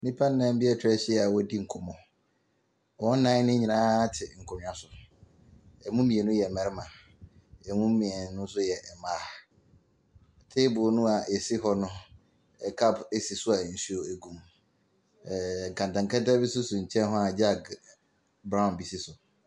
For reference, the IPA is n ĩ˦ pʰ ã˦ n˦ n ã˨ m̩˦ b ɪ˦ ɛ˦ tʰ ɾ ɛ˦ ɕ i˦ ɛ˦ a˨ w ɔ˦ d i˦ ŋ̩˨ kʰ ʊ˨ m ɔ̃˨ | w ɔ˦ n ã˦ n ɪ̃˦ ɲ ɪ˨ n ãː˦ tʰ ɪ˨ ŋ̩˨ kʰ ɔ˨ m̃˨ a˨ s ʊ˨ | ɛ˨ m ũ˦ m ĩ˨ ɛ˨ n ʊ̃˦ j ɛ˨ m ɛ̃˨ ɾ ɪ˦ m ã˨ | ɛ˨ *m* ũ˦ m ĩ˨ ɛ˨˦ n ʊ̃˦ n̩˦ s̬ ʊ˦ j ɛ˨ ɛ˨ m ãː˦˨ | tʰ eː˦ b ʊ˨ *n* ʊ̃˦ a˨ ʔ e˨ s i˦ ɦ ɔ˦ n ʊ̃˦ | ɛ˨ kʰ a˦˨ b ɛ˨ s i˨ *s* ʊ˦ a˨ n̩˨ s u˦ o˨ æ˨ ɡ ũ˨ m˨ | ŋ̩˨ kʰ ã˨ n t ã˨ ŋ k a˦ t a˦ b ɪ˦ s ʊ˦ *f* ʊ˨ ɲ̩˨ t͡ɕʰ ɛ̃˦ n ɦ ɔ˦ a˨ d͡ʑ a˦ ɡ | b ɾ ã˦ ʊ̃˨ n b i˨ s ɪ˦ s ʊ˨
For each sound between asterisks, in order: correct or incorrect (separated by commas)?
correct, correct, correct, incorrect